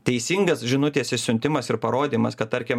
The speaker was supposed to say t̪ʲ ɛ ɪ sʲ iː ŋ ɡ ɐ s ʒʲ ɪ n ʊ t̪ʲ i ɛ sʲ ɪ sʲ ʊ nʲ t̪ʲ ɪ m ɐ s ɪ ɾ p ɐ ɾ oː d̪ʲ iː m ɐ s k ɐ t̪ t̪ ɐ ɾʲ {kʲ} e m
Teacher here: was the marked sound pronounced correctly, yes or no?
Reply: yes